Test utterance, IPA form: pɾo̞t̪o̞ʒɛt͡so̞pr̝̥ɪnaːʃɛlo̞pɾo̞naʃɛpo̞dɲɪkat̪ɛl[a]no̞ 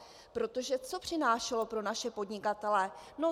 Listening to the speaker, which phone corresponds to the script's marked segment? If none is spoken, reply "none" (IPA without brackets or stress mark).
ɛ